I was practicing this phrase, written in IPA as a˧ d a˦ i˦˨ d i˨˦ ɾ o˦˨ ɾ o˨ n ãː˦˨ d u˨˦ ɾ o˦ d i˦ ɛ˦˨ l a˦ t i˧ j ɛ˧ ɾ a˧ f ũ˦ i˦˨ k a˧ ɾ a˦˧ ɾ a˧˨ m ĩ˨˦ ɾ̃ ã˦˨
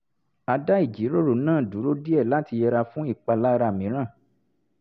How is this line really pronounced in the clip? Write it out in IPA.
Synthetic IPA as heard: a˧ d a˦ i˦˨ d͡ʒ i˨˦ ɾ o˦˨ ɾ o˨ n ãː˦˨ d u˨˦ ɾ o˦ d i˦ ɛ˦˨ l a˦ t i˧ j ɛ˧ ɾ a˧ f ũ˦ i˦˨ k͡p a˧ l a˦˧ ɾ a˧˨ m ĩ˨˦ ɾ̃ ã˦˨